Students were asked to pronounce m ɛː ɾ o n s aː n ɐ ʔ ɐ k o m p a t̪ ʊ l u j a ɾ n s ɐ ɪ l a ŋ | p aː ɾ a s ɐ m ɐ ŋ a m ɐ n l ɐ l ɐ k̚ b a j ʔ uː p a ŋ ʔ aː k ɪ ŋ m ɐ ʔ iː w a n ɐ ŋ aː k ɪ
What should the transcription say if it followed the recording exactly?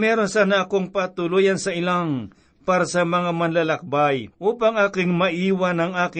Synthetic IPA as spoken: m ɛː ɾ o n s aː n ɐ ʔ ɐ k o ŋ p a t̪ ʊ l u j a n s ɐ ɪ l a ŋ | p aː ɾ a s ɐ m ɐ ŋ a m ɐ n l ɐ l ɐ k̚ b a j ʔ uː p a ŋ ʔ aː k ɪ ŋ m ɐ ʔ iː w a n ɐ ŋ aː k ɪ